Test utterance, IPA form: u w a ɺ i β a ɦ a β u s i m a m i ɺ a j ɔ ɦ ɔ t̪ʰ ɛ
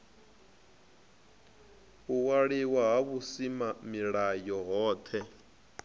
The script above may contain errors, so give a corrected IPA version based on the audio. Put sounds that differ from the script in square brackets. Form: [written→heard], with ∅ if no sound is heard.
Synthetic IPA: u w a ɺ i [β→w] a ɦ a β u s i m a m i ɺ a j ɔ ɦ [ɔ→ɔː] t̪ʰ ɛ